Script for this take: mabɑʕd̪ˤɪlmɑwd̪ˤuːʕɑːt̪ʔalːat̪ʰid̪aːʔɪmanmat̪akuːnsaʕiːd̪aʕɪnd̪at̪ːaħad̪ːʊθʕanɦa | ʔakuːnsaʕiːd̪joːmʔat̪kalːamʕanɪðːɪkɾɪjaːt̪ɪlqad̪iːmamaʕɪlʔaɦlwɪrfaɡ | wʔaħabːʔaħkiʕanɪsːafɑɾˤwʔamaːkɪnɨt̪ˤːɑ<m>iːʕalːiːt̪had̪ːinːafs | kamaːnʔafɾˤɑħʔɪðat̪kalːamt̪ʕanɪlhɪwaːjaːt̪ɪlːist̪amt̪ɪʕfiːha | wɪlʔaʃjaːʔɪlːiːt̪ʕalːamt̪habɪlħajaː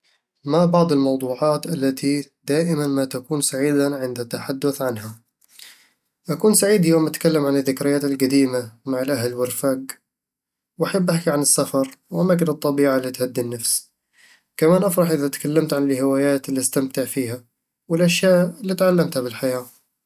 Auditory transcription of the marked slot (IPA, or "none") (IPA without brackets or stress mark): b